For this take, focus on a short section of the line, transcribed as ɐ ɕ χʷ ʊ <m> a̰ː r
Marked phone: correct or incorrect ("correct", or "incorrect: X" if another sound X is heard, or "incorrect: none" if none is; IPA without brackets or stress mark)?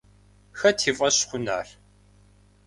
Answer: incorrect: n